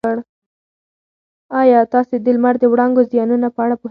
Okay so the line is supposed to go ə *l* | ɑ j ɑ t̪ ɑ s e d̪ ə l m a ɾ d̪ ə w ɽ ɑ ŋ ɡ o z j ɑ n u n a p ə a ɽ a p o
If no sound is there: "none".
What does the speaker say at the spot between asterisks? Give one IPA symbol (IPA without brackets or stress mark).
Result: ɽ